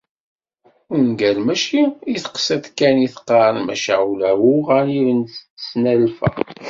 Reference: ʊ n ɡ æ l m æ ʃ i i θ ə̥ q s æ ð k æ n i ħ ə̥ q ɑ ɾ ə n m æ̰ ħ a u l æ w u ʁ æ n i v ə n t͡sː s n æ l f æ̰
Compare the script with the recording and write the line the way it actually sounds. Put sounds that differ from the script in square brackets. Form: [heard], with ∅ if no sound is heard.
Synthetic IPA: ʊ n ɡ æ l m æ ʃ i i θ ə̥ q s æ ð k æ n i [θ] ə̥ q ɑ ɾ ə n m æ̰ [ʃ] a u l æ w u ʁ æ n i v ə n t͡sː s n æ l f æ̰